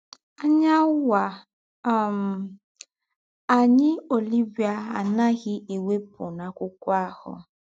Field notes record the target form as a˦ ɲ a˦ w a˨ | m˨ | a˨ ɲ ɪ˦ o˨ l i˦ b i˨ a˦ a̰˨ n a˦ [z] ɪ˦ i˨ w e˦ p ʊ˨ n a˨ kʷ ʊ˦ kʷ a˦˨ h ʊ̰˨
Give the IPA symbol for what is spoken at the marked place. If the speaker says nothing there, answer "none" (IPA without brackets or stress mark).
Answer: ɣ